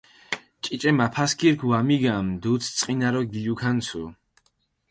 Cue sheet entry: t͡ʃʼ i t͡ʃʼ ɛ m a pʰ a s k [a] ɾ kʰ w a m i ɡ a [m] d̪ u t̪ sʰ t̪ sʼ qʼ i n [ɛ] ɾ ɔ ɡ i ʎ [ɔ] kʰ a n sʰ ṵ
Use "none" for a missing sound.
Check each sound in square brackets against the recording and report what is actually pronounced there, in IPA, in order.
i, m, a, u

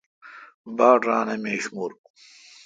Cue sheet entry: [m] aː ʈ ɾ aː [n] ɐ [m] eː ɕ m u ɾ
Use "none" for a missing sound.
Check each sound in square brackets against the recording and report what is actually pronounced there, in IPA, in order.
b, n, m

